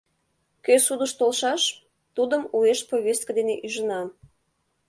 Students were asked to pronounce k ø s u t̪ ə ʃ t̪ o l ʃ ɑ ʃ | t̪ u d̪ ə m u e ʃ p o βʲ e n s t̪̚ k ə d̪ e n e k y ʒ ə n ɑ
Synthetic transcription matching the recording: k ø s u d̪ ə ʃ t̪ o l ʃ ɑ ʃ | t̪ u d̪ ə m u e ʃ p o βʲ e s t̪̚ k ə d̪ e n e ʔ y ʒ ə n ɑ